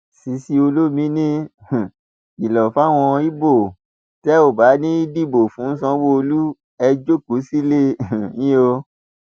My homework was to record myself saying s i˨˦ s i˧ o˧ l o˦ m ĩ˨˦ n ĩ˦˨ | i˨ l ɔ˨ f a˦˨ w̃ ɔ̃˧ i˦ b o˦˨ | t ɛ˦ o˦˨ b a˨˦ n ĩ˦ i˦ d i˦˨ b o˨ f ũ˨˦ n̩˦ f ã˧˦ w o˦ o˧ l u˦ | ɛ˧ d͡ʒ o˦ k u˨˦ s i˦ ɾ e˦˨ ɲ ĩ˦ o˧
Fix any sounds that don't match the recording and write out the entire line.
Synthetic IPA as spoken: s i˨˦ s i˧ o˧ l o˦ m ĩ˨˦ n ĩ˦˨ | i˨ l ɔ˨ f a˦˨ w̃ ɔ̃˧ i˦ b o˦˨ | t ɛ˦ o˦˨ b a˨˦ n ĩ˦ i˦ d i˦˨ b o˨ f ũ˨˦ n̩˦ s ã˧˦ w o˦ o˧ l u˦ | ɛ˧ d͡ʒ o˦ k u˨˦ s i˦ l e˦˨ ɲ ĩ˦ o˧